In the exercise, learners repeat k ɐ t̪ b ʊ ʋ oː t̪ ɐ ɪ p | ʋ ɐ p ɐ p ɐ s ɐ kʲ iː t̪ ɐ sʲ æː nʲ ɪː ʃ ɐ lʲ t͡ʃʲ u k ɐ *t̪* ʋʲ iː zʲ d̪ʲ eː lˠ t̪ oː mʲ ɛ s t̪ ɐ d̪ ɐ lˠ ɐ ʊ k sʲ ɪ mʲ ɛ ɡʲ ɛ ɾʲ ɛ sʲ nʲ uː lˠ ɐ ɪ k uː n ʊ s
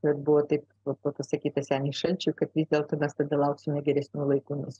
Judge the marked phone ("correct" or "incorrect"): correct